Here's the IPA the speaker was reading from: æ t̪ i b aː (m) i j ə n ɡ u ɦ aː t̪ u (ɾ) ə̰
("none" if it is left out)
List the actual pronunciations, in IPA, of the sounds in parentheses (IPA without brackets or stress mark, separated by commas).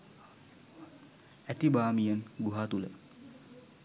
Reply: m, l